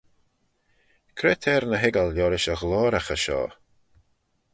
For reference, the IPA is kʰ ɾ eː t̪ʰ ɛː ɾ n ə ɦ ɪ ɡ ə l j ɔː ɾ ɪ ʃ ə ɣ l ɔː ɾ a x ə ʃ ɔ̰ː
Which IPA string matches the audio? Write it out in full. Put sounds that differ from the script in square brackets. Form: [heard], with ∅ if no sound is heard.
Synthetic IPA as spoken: kʰ ɾ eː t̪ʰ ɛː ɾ n ə ɦ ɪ ɡ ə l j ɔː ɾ ɪ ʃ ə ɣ l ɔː ɾ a x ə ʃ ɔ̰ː